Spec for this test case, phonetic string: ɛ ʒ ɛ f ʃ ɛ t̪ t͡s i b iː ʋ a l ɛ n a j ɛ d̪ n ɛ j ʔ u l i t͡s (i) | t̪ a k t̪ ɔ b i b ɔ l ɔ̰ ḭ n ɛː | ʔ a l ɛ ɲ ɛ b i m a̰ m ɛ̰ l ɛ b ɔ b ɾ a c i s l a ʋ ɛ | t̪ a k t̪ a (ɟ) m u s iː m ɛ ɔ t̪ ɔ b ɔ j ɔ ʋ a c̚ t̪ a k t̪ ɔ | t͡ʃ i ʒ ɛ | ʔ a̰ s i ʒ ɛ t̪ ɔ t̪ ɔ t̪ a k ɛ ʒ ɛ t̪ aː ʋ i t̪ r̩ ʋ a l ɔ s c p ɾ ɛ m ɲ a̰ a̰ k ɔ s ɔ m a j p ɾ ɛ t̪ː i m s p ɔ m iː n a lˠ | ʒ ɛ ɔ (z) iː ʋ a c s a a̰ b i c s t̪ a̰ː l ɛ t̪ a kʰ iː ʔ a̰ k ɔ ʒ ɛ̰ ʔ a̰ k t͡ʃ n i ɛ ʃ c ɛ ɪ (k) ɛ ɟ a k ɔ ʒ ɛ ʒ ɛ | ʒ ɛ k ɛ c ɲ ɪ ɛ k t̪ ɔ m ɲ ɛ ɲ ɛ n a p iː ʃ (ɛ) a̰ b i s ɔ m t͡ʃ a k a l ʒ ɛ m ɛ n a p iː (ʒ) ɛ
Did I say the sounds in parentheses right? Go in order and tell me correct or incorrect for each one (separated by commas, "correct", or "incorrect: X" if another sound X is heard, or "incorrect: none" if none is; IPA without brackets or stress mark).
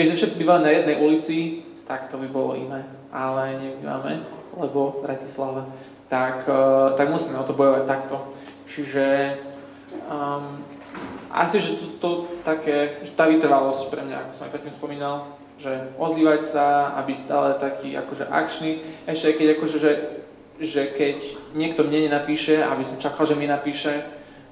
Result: correct, incorrect: ɡ, correct, correct, correct, incorrect: ʃ